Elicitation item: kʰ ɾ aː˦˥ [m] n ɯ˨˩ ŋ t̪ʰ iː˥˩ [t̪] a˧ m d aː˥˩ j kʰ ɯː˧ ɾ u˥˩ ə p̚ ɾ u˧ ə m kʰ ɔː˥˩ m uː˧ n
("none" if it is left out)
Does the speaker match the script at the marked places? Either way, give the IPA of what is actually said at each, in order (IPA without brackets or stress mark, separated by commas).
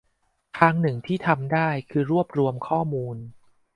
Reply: ŋ, t̪ʰ